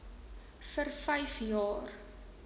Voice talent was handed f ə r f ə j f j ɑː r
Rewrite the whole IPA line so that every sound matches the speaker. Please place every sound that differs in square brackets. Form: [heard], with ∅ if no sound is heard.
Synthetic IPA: f ə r f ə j f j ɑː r